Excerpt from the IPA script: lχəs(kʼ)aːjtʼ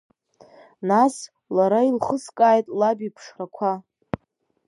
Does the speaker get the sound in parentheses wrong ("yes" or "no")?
no